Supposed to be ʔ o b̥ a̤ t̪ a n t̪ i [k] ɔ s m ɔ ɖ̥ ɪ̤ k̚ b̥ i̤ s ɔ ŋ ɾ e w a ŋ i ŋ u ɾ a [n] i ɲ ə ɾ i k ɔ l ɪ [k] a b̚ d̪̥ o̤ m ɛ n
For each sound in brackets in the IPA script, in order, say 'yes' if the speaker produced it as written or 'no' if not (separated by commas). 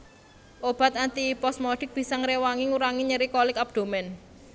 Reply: no, no, yes